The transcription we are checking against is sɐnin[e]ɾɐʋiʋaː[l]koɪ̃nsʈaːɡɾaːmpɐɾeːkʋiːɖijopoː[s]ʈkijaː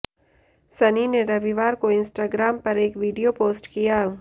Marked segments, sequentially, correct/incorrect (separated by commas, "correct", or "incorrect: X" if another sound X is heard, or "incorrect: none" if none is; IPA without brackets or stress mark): correct, incorrect: ɾ, correct